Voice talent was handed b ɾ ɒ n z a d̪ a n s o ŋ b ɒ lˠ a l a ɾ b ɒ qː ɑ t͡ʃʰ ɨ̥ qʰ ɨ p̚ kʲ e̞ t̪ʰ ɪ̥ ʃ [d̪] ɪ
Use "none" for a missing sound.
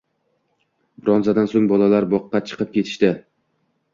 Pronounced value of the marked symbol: t̪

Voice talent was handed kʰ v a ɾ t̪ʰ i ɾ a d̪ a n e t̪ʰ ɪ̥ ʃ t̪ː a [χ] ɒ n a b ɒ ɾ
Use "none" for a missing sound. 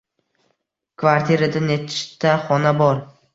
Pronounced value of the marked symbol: χ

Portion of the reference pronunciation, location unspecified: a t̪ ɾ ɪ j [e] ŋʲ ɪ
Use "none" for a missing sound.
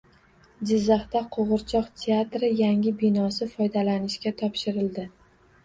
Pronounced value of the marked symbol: a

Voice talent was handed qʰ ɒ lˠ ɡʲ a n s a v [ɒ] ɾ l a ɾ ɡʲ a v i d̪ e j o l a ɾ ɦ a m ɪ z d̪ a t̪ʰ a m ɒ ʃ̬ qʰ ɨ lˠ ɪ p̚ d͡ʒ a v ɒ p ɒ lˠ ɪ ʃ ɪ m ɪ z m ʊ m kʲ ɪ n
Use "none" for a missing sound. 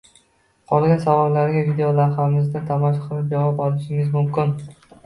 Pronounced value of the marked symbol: ɒ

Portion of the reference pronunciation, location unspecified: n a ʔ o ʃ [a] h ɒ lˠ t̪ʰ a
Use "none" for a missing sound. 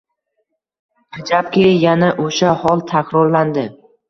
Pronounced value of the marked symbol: a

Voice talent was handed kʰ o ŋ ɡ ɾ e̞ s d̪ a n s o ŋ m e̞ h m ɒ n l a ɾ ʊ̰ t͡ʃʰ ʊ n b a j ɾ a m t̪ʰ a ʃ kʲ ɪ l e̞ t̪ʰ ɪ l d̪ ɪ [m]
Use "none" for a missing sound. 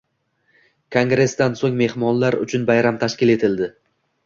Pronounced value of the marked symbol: none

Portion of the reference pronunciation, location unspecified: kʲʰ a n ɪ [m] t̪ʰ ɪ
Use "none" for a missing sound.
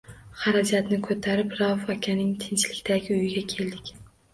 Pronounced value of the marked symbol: ŋ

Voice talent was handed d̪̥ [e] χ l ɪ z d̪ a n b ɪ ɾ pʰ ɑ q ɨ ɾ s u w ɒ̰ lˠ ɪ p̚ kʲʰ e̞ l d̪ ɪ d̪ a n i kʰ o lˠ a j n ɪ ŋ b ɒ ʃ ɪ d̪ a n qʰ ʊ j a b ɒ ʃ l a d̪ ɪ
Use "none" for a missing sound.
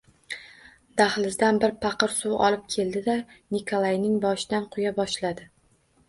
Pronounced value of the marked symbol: a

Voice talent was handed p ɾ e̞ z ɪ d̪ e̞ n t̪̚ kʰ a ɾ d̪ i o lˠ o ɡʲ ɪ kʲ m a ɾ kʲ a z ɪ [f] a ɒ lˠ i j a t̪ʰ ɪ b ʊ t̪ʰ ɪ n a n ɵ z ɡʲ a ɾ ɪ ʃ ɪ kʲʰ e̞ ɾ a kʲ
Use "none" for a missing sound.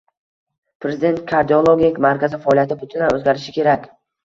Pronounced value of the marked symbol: f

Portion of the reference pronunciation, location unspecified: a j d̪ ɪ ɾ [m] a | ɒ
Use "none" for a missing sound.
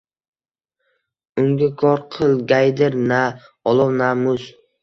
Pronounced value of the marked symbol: n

